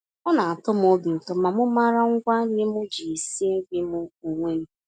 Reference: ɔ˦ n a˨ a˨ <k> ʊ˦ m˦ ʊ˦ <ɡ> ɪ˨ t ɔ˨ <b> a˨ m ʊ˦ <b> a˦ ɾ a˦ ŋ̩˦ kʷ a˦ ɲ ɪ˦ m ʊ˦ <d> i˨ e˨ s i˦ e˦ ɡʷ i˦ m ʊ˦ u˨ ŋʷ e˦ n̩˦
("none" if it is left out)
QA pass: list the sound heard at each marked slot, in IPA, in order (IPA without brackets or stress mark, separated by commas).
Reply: t, b, m, m, d͡ʒ